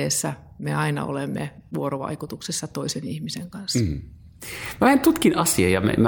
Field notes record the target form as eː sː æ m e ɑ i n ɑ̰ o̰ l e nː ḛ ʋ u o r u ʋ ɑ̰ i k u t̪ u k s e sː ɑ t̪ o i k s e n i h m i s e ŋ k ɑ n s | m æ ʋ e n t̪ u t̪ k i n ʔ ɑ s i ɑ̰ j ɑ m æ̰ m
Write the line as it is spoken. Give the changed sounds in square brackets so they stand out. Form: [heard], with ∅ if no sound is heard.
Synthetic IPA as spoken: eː sː æ m e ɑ i n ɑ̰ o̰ l e [mː] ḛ ʋ u o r [o] ʋ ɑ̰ i k u t̪ u k s e sː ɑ t̪ o i [∅] s e n i h m i s e ŋ k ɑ n s | m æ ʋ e n t̪ u t̪ k i n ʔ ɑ s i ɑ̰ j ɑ m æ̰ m